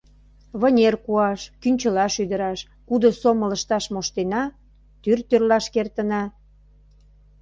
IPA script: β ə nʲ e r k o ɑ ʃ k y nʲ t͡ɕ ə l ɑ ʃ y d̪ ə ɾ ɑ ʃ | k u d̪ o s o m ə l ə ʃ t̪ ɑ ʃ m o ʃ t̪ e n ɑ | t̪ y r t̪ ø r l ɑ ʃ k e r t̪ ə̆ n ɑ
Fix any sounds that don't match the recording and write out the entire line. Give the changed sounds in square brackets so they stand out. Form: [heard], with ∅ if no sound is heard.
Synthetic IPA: β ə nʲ e r k [u] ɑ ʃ k y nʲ t͡ɕ ə l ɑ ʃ y d̪ ə ɾ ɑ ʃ | k u d̪ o s o m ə l ə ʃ t̪ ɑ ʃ m o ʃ t̪ e n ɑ | t̪ y r t̪ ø r l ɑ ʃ k e r t̪ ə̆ n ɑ